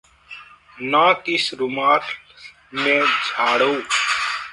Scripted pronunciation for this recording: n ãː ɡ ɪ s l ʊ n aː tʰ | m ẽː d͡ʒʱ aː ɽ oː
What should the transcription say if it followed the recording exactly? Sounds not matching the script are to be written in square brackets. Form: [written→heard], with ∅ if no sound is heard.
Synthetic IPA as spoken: n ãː [ɡ→k] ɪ s [l→ɾ] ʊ [n→m] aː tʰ | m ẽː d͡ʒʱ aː ɽ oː